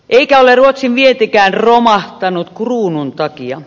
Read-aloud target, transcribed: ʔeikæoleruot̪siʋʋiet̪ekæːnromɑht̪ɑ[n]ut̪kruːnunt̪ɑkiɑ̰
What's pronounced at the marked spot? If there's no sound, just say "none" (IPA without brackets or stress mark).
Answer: n